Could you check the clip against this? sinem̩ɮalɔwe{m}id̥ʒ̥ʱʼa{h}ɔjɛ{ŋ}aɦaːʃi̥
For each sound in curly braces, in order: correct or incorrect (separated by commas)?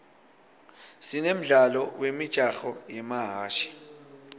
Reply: correct, incorrect, incorrect